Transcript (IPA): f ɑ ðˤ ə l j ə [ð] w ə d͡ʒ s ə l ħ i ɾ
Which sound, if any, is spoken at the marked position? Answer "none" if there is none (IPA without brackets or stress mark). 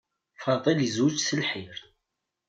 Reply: z